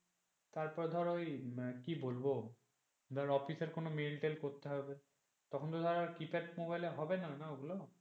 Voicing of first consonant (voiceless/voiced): voiceless